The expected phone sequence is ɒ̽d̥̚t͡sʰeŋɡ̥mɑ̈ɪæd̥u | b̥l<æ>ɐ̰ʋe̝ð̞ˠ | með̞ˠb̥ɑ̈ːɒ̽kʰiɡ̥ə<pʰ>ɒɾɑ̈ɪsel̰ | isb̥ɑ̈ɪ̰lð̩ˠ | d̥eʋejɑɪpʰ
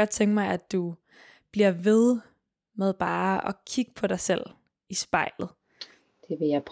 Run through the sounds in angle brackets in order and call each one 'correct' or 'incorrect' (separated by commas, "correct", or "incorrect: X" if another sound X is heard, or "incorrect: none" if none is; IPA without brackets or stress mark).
incorrect: i, correct